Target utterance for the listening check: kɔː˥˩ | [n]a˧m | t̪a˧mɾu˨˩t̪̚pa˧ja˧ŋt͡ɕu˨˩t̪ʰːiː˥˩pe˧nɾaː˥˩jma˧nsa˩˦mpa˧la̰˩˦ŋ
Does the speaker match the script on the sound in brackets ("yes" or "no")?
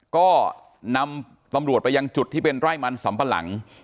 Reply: yes